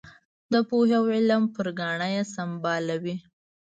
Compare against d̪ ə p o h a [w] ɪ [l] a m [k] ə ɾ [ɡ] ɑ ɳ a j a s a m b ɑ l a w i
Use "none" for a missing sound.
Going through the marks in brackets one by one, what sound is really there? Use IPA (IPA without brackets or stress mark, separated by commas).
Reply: w, l, p, ɡ